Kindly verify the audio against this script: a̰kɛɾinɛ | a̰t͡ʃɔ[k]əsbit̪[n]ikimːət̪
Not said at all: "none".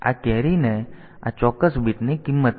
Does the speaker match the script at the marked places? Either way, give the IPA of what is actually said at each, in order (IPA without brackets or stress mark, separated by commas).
k, n